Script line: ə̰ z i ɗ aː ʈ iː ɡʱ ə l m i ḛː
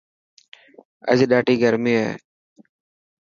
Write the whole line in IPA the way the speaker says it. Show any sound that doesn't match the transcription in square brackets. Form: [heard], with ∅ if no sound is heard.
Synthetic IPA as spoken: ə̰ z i ɗ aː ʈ iː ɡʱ ə [ɾ] m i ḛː